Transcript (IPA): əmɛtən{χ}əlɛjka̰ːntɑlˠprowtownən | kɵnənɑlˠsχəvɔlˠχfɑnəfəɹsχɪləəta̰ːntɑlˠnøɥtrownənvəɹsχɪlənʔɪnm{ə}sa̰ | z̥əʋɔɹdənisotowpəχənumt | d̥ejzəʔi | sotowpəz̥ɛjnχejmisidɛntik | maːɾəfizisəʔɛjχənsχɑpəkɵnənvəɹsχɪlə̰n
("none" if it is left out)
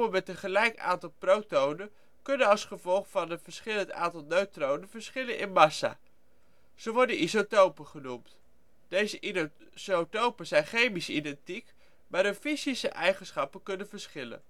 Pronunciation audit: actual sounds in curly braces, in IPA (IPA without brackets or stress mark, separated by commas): χ, ɑ